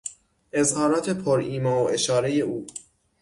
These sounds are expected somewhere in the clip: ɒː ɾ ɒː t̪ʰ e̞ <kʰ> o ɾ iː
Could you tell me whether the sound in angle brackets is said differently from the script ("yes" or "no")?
yes